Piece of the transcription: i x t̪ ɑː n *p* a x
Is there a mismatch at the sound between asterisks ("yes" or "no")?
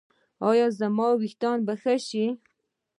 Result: yes